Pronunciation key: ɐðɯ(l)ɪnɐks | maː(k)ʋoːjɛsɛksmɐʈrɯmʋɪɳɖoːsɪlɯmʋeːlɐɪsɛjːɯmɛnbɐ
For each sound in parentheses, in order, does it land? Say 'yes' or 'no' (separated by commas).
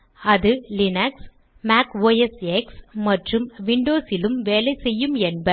yes, yes